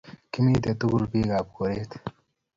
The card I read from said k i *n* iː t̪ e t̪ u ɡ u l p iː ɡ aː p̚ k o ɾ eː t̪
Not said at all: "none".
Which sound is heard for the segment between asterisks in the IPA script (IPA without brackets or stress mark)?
m